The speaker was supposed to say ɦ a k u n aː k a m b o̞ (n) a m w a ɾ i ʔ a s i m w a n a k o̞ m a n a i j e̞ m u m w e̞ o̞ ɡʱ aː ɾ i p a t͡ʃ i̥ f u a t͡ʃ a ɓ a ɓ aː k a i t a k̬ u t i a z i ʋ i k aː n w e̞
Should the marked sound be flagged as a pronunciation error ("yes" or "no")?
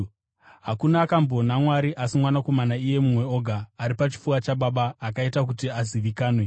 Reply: no